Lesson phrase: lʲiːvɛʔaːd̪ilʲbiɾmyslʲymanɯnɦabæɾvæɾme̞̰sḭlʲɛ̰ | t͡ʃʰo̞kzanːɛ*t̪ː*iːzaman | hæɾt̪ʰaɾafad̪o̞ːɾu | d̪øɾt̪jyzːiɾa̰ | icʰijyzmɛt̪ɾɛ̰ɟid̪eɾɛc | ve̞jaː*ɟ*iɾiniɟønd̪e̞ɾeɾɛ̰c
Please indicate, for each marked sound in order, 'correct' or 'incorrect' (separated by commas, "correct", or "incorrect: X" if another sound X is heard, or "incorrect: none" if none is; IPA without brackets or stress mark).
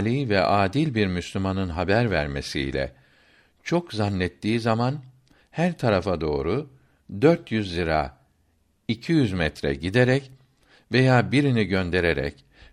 correct, incorrect: b